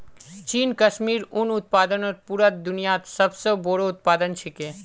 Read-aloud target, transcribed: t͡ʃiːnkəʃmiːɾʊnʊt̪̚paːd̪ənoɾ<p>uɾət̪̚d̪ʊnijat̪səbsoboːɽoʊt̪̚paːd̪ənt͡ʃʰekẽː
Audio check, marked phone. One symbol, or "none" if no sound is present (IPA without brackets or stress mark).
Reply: p